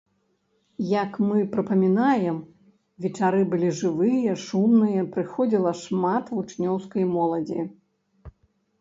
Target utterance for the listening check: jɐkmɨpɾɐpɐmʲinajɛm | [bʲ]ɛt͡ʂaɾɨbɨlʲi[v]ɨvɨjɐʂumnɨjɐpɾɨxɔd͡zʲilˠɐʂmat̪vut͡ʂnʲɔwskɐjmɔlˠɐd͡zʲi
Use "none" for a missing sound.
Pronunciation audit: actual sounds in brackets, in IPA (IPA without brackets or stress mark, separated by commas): vʲ, ʐ